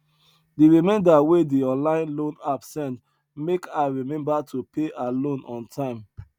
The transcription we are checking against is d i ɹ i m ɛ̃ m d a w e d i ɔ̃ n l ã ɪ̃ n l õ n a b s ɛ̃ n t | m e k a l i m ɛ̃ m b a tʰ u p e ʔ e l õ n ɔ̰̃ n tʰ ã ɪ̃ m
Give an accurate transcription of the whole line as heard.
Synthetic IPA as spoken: d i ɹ i m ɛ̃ n d a w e d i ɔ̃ n l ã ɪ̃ n l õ n a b s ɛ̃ n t | m e k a ɹ i m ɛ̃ m b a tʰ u p e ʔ a l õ n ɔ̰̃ n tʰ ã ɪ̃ m